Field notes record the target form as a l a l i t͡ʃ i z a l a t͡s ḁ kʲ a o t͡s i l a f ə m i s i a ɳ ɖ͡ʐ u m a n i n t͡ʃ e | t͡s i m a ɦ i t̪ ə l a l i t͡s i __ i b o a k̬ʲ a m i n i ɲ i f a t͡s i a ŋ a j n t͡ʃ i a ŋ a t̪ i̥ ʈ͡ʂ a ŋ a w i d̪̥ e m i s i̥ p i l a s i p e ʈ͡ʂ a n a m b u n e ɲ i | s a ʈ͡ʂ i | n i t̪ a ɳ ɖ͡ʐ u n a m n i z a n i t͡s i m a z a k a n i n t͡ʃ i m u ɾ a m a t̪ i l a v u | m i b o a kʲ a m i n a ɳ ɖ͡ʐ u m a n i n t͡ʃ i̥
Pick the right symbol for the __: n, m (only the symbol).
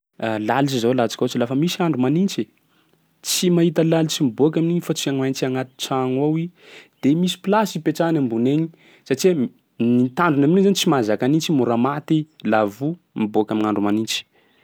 m